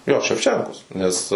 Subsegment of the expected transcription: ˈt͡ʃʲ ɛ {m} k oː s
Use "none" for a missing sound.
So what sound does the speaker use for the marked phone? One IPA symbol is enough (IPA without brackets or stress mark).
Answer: ŋ